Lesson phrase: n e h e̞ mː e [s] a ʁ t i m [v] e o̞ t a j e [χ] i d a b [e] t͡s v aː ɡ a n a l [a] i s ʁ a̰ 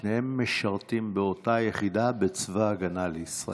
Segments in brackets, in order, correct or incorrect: incorrect: ʃ, incorrect: b, correct, correct, incorrect: e

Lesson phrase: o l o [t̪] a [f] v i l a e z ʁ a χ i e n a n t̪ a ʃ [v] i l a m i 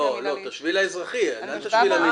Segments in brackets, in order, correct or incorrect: correct, incorrect: ʃ, correct

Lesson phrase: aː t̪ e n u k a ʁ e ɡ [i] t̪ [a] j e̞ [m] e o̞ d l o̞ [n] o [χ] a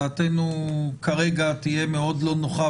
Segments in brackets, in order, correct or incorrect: incorrect: a, incorrect: i, correct, correct, correct

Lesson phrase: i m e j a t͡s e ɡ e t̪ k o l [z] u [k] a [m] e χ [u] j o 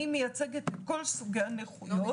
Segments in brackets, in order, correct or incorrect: incorrect: s, incorrect: ɡ, incorrect: n, correct

